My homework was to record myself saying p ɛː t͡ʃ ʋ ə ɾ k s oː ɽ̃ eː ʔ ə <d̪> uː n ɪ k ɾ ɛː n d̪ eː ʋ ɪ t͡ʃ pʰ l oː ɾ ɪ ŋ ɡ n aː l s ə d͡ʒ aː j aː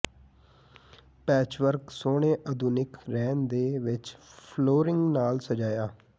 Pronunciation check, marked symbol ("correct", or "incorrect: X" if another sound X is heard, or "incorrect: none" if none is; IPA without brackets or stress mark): correct